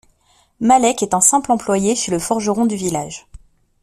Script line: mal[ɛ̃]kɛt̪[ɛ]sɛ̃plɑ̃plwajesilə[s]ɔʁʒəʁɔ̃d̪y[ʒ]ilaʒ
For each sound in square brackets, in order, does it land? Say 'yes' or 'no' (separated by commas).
no, no, no, no